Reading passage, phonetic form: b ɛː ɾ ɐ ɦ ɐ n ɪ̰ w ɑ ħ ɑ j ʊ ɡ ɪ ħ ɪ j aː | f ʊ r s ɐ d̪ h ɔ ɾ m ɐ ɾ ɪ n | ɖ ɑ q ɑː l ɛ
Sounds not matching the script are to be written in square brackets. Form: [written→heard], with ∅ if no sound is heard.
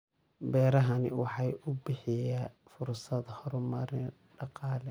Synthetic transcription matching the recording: b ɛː ɾ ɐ ɦ ɐ n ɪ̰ w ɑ ħ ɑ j ʊ [ɡ→b] ɪ ħ ɪ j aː | f ʊ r s ɐ d̪ h ɔ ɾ m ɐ ɾ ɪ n | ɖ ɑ q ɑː l ɛ

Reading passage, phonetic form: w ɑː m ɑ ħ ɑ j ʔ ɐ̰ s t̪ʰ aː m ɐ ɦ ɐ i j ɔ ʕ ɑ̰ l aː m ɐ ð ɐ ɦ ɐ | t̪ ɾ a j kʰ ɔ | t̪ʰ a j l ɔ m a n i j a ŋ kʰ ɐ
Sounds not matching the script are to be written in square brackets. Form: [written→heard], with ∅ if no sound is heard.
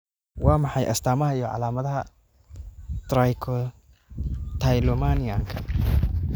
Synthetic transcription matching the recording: w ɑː m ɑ ħ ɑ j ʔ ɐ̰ s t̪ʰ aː m ɐ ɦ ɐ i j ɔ ʕ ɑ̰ l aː m ɐ ð ɐ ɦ ɐ | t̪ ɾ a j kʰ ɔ | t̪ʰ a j l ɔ m a n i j a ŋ kʰ ɐ

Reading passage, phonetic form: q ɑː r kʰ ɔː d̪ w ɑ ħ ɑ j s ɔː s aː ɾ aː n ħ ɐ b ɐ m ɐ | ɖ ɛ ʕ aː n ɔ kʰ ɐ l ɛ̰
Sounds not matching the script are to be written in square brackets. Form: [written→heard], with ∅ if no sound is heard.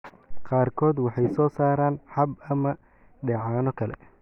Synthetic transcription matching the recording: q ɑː r kʰ ɔː d̪ w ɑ ħ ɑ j s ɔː s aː ɾ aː n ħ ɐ b ɐ m ɐ | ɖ ɛ ʕ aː n ɔ kʰ ɐ l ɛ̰

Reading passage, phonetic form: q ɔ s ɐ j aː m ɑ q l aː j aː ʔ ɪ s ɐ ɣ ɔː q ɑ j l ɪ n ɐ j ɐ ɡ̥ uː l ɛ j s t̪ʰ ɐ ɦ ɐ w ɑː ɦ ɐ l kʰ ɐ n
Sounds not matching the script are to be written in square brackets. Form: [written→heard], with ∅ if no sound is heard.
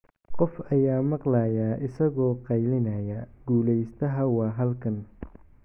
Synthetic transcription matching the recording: q ɔ [s→f] ɐ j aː m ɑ q l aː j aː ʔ ɪ s ɐ ɣ ɔː q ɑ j l ɪ n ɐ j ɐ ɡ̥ uː l ɛ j s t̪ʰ ɐ ɦ ɐ w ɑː ɦ ɐ l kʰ ɐ n

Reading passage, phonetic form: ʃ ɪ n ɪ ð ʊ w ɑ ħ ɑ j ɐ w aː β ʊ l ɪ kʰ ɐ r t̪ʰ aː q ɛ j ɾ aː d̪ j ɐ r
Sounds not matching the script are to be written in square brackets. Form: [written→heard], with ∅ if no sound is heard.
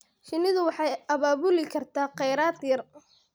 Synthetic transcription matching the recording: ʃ ɪ n ɪ ð ʊ w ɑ ħ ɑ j ɐ [w→β] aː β ʊ l ɪ kʰ ɐ r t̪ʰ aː q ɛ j ɾ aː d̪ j ɐ r

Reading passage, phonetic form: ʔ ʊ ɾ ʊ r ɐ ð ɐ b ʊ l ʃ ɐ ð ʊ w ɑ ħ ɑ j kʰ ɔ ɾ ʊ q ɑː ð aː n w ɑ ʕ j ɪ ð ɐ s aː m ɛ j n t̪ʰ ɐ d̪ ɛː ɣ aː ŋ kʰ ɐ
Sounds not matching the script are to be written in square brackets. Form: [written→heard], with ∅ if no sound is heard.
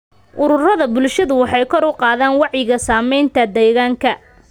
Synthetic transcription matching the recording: ʔ ʊ ɾ ʊ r ɐ ð ɐ b ʊ l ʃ ɐ ð ʊ w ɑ ħ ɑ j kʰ ɔ ɾ ʊ q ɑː ð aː n w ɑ ʕ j ɪ [ð→ɣ] ɐ s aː m ɛ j n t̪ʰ ɐ d̪ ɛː ɣ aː ŋ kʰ ɐ

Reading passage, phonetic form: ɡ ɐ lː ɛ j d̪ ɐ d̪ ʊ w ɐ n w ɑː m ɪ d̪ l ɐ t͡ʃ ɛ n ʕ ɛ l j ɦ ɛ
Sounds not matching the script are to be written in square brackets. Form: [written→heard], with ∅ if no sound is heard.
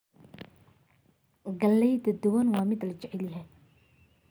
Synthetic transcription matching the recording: ɡ ɐ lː ɛ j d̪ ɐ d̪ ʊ w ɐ n w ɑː m ɪ d̪ l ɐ t͡ʃ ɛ [n→∅] ʕ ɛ l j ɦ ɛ

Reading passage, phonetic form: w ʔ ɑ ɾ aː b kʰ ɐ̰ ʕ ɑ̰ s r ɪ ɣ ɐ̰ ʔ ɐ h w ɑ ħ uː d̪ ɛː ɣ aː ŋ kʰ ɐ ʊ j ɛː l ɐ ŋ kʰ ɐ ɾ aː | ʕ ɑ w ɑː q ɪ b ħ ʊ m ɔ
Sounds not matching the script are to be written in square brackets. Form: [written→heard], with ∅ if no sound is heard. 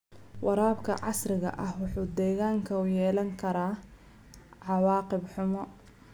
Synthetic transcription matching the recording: w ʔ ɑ ɾ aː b kʰ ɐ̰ ʕ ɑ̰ s r ɪ ɣ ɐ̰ ʔ ɐ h w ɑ ħ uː d̪ ɛː ɣ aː ŋ kʰ ɐ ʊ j ɛː l ɐ ŋ kʰ ɐ ɾ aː | ʕ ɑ w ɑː q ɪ b ħ ʊ m ɔ

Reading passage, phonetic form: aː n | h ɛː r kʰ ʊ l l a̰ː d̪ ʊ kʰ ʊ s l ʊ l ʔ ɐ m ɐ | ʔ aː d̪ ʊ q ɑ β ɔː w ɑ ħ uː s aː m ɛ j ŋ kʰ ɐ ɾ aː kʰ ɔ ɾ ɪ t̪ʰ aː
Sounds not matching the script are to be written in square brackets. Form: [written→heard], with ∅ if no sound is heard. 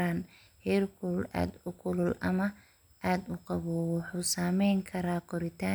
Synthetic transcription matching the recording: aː n | h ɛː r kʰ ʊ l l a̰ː d̪ ʊ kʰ ʊ [s→∅] l ʊ l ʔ ɐ m ɐ | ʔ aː d̪ ʊ q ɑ β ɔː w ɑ ħ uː s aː m ɛ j ŋ kʰ ɐ ɾ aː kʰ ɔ ɾ ɪ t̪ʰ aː

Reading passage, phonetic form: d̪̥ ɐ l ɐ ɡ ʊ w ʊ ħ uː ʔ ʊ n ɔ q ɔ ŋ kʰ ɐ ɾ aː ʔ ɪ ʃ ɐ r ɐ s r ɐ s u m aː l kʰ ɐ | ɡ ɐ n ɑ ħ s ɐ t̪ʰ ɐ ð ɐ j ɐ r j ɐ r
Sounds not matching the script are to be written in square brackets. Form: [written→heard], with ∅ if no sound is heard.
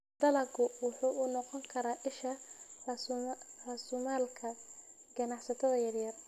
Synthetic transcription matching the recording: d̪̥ ɐ l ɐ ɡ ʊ w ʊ ħ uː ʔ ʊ n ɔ q ɔ ŋ kʰ ɐ ɾ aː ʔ ɪ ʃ ɐ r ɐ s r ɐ s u m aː l kʰ ɐ | ɡ ɐ n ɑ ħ s ɐ t̪ʰ ɐ ð ɐ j ɐ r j ɐ r

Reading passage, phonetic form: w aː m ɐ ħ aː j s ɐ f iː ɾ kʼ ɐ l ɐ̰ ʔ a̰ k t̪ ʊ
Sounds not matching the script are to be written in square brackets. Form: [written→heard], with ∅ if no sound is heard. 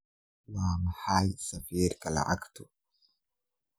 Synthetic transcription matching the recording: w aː m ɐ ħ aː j s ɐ f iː ɾ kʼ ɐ l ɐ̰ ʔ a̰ k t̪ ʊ

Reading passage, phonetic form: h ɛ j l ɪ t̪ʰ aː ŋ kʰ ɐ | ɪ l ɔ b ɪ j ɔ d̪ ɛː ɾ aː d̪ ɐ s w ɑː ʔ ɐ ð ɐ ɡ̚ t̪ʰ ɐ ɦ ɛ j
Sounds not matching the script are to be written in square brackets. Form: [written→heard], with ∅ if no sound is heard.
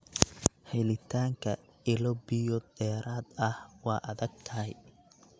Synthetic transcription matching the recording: h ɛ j l ɪ t̪ʰ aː ŋ kʰ ɐ | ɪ l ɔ b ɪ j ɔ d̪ ɛː ɾ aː d̪ ɐ [s→h] w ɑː ʔ ɐ ð ɐ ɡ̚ t̪ʰ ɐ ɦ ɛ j

